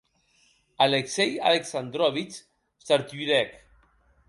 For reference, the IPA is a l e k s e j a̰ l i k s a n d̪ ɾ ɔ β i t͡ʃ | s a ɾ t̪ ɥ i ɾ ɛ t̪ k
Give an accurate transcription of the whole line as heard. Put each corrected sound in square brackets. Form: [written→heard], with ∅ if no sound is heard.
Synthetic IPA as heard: a l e k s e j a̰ l [i→e] k s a n d̪ ɾ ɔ β i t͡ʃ | s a ɾ t̪ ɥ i ɾ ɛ [t̪→∅] k